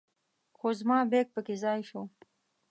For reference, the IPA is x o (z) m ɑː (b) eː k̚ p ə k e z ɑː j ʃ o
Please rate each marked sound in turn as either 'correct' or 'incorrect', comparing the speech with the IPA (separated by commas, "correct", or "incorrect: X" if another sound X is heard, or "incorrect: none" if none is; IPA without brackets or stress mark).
correct, correct